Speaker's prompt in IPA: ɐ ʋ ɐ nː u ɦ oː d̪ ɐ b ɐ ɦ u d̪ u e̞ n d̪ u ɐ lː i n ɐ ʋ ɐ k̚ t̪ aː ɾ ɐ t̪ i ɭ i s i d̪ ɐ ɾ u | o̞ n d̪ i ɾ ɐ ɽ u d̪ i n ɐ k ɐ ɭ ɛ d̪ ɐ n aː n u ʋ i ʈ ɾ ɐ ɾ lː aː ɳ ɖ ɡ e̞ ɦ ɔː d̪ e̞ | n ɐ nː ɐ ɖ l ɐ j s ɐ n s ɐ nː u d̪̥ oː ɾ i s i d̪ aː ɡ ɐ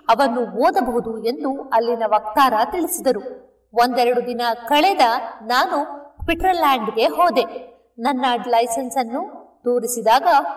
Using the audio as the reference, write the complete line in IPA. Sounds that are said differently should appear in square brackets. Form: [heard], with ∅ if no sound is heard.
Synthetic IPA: ɐ ʋ ɐ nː u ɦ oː d̪ ɐ b ɐ ɦ u d̪ u e̞ n d̪ u ɐ lː i n ɐ ʋ ɐ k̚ t̪ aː ɾ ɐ t̪ i ɭ i s i d̪ ɐ ɾ u | o̞ n d̪ [ɛ] ɾ ɐ ɽ u d̪ i n ɐ k ɐ ɭ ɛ d̪ ɐ n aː n u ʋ i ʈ ɾ ɐ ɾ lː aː ɳ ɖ ɡ e̞ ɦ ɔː d̪ e̞ | n ɐ nː ɐ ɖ l ɐ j s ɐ n s ɐ nː u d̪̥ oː ɾ i s i d̪ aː ɡ ɐ